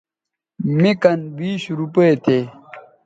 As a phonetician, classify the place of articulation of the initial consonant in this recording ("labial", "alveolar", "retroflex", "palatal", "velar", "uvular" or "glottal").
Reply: labial